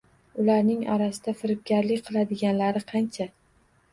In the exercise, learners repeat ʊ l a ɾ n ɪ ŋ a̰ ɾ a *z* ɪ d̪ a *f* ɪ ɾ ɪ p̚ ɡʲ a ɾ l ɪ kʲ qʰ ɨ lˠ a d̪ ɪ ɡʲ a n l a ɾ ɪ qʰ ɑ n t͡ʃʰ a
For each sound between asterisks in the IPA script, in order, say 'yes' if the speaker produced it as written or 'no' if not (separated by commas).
no, yes